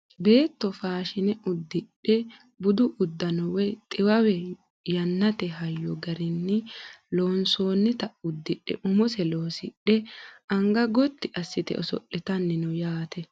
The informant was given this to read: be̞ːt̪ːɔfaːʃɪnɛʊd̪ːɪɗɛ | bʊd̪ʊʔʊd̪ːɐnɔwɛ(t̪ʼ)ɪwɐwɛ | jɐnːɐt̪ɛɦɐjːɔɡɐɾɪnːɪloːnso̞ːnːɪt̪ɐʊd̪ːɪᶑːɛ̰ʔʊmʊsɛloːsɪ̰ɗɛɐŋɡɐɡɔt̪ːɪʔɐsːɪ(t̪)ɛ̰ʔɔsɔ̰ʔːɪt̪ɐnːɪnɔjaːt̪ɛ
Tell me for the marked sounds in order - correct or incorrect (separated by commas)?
correct, correct